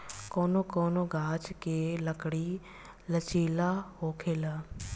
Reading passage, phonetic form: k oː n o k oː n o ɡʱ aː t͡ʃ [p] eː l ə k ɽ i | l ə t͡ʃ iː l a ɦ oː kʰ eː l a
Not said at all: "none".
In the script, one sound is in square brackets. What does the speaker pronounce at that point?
k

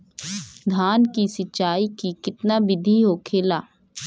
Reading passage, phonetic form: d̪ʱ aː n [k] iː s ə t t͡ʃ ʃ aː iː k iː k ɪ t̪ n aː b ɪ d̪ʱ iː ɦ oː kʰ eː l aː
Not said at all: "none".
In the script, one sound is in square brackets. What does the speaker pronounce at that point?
k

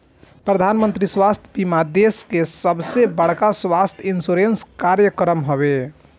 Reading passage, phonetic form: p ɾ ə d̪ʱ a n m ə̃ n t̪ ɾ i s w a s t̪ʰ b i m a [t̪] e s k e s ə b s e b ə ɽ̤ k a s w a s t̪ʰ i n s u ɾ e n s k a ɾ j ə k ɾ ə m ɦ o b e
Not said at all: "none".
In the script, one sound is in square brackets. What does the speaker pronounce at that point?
d̪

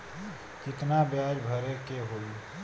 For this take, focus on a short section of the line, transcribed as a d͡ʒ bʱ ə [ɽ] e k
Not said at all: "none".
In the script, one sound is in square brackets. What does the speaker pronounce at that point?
ɾ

